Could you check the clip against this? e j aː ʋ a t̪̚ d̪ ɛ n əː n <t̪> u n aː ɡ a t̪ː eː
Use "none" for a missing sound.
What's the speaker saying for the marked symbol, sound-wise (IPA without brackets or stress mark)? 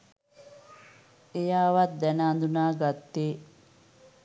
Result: d̪